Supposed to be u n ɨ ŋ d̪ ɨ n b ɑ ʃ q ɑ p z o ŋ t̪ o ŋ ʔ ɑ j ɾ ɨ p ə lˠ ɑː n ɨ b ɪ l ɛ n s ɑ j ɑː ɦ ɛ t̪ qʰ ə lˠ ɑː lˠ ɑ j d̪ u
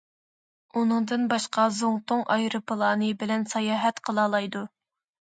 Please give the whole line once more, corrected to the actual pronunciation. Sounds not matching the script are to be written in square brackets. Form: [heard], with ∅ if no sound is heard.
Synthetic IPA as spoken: u n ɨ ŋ d̪ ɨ n b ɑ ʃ q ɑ [∅] z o ŋ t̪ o ŋ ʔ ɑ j ɾ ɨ p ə lˠ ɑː n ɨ b ɪ l ɛ n s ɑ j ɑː ɦ ɛ t̪ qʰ ə lˠ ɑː lˠ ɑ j d̪ u